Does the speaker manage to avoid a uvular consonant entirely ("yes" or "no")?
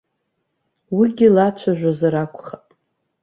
no